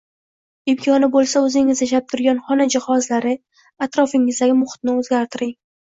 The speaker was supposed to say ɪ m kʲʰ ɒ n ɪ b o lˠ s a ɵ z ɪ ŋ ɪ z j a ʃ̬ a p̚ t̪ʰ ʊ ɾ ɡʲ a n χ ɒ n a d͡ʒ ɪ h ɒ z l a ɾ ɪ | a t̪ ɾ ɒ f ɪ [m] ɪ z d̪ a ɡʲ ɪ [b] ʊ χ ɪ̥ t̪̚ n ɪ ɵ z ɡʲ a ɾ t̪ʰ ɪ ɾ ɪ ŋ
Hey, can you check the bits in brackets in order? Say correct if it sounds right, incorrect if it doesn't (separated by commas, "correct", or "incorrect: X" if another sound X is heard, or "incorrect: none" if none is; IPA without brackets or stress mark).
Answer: incorrect: ŋ, incorrect: m